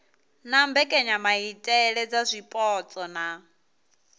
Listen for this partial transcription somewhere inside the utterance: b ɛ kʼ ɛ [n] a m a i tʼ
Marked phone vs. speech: incorrect: ɲ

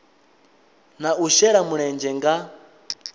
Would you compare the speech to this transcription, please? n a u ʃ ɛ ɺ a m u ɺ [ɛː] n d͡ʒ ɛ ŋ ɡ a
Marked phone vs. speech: incorrect: ɛ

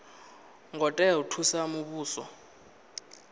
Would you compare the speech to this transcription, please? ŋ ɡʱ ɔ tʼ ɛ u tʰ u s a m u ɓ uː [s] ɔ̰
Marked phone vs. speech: correct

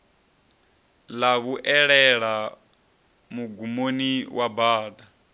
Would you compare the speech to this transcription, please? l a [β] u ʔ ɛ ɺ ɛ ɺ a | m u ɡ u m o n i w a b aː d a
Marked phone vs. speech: correct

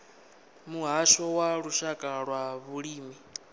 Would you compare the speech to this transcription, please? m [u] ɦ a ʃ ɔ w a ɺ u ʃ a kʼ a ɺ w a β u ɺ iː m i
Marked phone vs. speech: correct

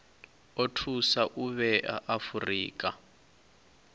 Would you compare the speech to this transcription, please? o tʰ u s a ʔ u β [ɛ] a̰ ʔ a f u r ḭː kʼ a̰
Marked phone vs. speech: correct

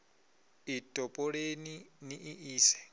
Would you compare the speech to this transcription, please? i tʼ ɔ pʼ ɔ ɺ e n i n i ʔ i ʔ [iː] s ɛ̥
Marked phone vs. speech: correct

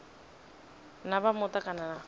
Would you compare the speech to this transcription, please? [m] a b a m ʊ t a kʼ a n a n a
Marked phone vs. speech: incorrect: n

